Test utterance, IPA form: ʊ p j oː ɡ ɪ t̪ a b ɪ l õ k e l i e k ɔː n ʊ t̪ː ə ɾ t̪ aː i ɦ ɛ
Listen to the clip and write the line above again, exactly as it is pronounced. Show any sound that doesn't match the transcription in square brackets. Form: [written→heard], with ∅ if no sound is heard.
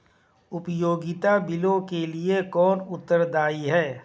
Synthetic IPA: ʊ p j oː ɡ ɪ t̪ a b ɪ l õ k e l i e k ɔː n ʊ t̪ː ə ɾ [t̪→d̪] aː i ɦ [ɛ→ɛː]